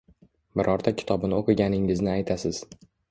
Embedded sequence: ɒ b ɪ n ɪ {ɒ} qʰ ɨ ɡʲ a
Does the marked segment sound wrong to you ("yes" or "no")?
yes